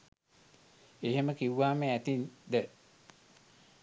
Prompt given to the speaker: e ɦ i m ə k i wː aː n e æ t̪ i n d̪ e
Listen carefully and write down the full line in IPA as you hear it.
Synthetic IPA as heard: e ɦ e m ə k i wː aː m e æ t̪ i n d̪ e